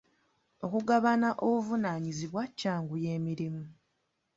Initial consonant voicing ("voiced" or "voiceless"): voiceless